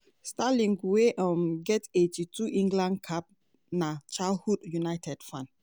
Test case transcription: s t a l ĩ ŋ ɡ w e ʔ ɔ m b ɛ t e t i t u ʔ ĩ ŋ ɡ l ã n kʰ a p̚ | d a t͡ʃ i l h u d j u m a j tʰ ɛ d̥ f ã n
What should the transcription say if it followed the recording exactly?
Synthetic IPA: s t a l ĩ ŋ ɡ w e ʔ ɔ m ɡ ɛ t e t i t u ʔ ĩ ŋ ɡ l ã n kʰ a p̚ | n a t͡ʃ a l h u d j u n a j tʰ ɛ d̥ f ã n